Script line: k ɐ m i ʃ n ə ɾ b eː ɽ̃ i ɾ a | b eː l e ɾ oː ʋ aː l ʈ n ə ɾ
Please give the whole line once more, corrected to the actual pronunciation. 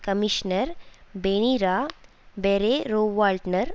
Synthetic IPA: k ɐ m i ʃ n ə ɾ b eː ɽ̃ i ɾ a | b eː ɾ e ɾ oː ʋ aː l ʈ n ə ɾ